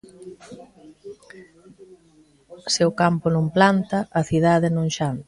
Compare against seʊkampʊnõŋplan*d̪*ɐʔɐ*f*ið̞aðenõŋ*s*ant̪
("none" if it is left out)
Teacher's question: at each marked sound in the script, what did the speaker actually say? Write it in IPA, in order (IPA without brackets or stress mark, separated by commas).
t̪, θ, ʃ